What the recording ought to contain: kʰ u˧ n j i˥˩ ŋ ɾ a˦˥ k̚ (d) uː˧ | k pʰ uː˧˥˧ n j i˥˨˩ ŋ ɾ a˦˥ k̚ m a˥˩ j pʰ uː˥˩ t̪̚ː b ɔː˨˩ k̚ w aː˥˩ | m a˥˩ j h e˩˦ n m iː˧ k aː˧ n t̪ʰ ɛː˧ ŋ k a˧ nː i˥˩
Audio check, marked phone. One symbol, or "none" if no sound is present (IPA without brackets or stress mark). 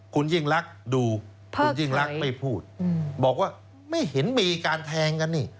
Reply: d